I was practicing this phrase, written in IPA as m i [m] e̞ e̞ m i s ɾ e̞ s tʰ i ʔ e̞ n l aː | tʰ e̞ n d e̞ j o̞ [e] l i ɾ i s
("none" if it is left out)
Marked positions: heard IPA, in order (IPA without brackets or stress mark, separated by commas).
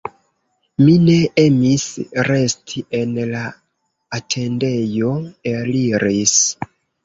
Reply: n, e